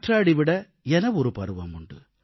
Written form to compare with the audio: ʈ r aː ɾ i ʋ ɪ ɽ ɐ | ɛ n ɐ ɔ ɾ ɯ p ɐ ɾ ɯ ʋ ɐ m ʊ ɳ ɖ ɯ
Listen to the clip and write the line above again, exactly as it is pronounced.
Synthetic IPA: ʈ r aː ɽ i ʋ ɪ ɽ ɐ | ɛ n ɐ ɔ ɾ ɯ p ɐ ɾ ɯ ʋ ɐ m ʊ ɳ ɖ ɯ